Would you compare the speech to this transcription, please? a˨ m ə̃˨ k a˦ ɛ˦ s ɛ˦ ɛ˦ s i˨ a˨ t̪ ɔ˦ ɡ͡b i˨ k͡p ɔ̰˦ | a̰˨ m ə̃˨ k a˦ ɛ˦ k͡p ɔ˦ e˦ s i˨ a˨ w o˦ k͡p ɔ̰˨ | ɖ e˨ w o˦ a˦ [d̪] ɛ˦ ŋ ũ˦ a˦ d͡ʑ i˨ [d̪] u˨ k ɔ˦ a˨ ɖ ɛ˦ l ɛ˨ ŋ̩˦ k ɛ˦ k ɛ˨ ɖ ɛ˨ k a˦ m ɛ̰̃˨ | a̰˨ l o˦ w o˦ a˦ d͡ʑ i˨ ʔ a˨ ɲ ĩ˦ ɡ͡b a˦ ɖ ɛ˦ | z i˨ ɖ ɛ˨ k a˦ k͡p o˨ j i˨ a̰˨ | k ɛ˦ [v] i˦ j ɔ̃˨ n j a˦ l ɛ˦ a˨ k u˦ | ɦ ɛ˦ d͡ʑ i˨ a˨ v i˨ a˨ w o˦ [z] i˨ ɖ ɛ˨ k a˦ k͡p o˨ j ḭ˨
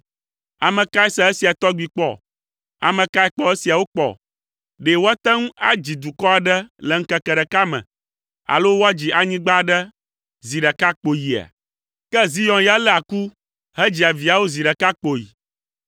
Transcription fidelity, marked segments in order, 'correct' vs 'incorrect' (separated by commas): incorrect, correct, incorrect, correct